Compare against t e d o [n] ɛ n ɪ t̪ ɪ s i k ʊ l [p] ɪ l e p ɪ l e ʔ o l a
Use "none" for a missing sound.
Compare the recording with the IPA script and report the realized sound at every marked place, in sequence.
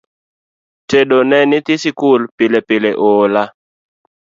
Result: n, p

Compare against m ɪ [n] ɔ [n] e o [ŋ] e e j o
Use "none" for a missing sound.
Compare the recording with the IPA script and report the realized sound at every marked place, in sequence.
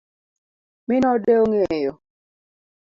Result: n, d, ŋ

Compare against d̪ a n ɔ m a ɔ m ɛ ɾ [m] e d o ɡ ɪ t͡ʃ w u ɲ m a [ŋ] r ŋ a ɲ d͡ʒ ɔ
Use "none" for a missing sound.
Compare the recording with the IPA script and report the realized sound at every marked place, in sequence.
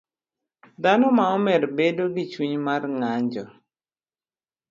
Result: b, none

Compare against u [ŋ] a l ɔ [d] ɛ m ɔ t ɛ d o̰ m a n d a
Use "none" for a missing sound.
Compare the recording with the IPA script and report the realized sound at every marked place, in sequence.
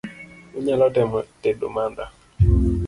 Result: ɲ, t

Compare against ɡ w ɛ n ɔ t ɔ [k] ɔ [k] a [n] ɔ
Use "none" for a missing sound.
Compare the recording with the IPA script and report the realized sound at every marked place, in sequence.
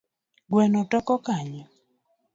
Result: k, k, ɲ

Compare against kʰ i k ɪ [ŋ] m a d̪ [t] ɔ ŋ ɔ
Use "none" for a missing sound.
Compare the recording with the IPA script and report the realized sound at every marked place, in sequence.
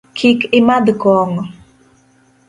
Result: none, k

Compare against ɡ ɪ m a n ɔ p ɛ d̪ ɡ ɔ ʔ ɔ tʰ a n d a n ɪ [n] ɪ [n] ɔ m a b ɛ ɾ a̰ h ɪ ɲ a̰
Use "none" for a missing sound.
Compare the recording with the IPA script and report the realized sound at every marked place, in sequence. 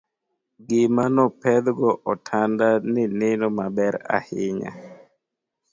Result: n, n

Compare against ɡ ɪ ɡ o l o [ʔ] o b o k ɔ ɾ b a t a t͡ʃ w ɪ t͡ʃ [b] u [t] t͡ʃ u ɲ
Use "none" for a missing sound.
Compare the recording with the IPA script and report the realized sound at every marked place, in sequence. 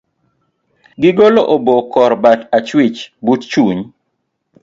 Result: ʔ, b, t

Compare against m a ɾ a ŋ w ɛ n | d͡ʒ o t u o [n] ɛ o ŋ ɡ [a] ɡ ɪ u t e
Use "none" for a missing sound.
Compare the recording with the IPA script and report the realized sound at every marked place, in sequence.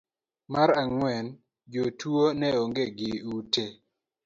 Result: n, e

